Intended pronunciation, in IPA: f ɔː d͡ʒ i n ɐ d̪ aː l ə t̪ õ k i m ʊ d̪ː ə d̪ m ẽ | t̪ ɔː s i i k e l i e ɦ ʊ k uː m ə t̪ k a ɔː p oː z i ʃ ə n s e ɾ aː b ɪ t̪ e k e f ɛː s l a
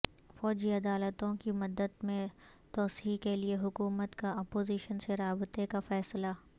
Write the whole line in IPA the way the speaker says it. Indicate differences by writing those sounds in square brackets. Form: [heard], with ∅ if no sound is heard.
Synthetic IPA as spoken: f ɔː d͡ʒ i [∅] ɐ d̪ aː l ə t̪ õ k i m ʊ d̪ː ə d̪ m ẽ | t̪ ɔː s i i k e l i e ɦ ʊ k uː m ə t̪ k a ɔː p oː z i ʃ ə n s e ɾ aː b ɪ t̪ e k [a] f ɛː s l a